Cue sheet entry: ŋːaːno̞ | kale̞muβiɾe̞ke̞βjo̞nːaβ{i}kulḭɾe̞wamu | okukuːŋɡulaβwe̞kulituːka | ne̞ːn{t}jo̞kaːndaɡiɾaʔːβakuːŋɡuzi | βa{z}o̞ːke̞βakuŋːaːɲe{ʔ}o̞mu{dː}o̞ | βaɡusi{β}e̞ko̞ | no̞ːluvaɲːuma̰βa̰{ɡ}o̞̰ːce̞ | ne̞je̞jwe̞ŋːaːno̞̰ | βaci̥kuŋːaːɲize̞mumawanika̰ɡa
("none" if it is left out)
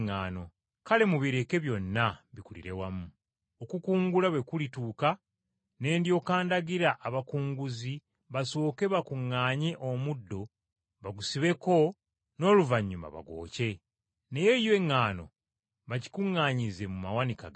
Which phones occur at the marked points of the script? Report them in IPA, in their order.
i, d, s, ʔ, dː, β, ɡ

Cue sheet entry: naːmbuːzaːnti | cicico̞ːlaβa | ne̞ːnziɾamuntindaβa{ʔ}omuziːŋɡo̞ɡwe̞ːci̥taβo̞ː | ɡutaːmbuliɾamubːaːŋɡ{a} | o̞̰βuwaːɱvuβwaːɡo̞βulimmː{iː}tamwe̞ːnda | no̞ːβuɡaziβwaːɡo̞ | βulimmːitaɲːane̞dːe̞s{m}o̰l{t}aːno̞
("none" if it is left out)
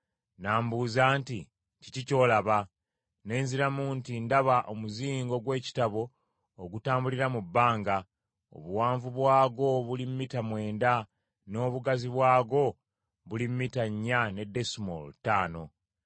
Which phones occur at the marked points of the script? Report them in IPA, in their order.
ʔ, a, i, m, t

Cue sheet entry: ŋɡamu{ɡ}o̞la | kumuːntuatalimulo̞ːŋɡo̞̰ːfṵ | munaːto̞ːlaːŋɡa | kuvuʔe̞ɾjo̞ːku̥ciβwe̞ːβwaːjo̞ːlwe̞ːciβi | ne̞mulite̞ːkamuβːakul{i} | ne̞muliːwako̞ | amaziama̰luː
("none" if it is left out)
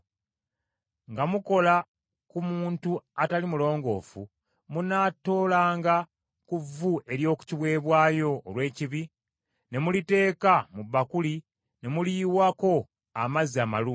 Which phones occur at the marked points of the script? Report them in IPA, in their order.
k, i

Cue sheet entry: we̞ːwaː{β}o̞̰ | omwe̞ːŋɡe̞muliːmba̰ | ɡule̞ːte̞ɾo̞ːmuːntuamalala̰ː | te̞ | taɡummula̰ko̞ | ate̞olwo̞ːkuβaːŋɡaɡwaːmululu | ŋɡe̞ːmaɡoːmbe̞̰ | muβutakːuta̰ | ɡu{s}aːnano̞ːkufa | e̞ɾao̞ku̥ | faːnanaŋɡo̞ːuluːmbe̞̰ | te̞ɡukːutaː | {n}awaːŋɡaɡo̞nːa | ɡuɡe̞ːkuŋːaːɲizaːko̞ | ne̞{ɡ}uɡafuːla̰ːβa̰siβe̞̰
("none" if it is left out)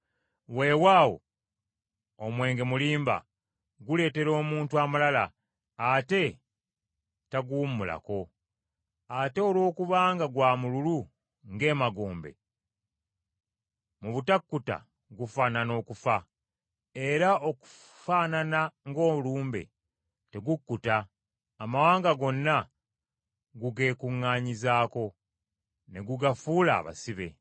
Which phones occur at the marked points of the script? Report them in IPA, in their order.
w, f, m, ɡ

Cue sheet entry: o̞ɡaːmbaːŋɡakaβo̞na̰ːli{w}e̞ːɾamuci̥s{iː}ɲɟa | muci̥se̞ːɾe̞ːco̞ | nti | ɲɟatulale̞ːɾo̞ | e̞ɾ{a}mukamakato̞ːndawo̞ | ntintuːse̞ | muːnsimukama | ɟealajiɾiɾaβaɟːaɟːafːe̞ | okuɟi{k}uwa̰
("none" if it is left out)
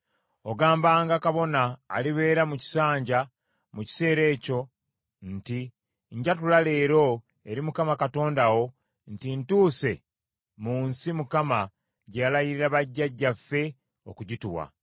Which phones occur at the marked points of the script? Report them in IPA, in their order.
β, aː, i, t

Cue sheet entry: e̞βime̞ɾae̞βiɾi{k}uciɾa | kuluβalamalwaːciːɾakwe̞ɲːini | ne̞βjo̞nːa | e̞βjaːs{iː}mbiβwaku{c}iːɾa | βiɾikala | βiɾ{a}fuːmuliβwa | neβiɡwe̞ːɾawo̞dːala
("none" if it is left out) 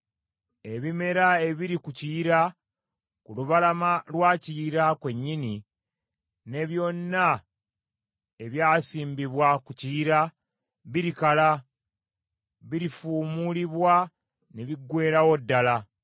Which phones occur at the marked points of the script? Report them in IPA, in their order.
k, iː, c, i

